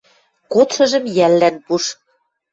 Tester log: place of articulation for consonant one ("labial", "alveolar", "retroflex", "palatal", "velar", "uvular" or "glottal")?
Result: velar